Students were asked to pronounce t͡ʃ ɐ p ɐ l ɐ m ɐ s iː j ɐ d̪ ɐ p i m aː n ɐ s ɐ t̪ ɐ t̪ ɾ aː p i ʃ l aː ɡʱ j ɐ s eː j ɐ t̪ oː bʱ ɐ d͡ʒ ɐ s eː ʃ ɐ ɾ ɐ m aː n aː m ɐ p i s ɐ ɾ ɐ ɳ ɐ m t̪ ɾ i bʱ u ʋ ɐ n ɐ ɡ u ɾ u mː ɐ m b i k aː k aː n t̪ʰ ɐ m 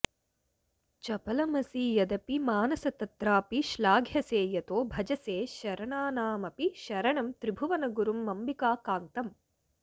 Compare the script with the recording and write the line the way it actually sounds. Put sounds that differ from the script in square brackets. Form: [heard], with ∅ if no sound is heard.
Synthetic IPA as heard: t͡ʃ ɐ p ɐ l ɐ m ɐ s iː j ɐ d̪ ɐ p i m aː n ɐ s ɐ t̪ ɐ t̪ ɾ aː p i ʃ l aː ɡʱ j ɐ s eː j ɐ t̪ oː bʱ ɐ d͡ʒ ɐ s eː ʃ ɐ ɾ ɐ [ɳ] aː n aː m ɐ p i [ʃ] ɐ ɾ ɐ ɳ ɐ m t̪ ɾ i bʱ u ʋ ɐ n ɐ ɡ u ɾ u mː ɐ m b i k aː k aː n [t̪] ɐ m